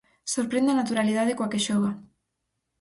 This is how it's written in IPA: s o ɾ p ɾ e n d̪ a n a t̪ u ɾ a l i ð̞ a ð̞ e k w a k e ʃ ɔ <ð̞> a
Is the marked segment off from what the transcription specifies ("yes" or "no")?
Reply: yes